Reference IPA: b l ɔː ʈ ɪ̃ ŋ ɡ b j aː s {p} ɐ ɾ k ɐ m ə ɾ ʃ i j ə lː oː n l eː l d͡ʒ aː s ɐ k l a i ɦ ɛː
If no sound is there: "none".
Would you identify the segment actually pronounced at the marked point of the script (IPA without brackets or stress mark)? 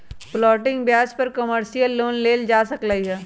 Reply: p